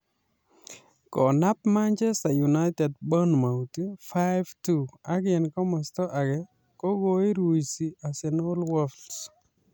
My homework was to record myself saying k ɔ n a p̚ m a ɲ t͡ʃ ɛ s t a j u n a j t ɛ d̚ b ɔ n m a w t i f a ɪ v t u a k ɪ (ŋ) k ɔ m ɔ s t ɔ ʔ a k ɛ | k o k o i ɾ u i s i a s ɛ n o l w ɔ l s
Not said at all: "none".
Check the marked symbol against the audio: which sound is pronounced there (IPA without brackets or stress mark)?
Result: n